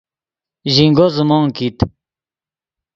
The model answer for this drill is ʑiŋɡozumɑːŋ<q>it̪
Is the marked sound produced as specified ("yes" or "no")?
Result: no